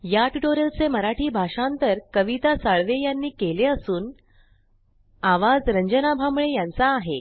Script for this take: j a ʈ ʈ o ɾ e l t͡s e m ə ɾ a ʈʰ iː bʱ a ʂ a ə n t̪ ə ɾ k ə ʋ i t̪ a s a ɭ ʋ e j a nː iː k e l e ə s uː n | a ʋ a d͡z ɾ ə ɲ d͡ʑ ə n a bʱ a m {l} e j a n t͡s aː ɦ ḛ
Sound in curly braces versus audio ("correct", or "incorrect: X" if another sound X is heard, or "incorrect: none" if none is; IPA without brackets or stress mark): incorrect: ɭ